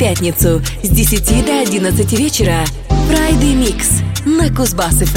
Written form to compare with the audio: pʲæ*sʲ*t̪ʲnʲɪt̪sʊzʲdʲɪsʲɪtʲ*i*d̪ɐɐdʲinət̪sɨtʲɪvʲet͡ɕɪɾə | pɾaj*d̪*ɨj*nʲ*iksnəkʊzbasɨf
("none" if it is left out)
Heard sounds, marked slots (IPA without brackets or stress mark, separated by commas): none, i, d̪, mʲ